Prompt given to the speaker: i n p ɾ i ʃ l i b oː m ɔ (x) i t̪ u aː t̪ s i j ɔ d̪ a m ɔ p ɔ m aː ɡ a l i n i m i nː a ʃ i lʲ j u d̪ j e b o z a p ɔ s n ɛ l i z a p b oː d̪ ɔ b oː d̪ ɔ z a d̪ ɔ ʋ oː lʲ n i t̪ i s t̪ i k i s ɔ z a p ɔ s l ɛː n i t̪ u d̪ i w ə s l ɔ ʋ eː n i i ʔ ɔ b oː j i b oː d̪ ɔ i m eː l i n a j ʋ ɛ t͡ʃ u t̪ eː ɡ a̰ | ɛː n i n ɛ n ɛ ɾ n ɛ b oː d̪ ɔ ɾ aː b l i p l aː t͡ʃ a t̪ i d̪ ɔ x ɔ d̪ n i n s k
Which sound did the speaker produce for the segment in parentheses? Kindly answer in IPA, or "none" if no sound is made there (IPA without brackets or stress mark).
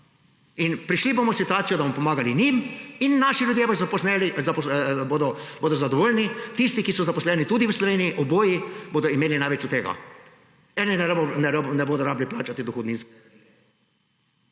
s